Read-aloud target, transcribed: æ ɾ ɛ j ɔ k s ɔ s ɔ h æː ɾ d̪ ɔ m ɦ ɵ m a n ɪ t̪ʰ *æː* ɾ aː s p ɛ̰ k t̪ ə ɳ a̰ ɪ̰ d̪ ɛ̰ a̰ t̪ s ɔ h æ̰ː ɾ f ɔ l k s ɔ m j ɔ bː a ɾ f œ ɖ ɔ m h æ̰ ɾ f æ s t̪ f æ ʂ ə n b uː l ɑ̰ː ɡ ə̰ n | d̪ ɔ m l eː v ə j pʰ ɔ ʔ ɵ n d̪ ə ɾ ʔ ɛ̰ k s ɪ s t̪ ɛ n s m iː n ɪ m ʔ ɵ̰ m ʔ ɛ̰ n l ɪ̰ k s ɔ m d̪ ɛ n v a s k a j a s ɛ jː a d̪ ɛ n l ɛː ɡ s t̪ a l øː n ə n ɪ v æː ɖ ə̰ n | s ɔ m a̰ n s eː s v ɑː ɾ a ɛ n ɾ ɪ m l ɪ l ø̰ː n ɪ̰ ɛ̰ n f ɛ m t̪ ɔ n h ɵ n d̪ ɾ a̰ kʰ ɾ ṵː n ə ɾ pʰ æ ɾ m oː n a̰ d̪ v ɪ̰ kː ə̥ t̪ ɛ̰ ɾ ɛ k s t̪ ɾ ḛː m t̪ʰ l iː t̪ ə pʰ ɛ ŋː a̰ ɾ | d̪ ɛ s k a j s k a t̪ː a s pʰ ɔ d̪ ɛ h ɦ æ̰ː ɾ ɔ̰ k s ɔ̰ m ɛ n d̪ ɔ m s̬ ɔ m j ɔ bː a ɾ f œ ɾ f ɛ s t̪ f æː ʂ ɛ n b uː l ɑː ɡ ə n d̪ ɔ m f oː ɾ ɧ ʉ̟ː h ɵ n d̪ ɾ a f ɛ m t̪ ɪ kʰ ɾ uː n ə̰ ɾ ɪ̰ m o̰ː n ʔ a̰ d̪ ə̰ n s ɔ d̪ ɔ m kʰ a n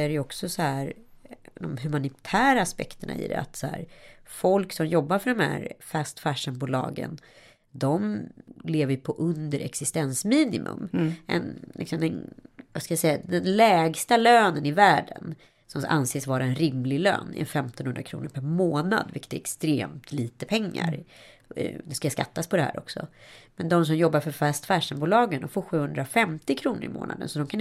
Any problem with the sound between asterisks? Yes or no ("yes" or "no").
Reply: no